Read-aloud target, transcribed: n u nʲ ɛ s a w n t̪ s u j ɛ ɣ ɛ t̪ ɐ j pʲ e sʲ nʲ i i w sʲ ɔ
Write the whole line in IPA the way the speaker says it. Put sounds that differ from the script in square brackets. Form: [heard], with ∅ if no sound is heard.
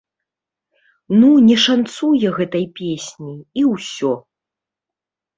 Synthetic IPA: n u nʲ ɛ [ʂ] a [∅] n t̪ s u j ɛ ɣ ɛ t̪ ɐ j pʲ e sʲ nʲ i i w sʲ ɔ